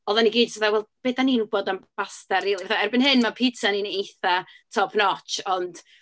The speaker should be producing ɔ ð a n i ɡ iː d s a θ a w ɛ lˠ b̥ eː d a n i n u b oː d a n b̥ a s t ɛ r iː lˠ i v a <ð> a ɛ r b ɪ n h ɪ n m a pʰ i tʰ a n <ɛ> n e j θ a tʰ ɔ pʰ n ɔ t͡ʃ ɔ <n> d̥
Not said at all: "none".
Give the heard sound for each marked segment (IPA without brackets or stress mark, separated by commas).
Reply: θ, i, n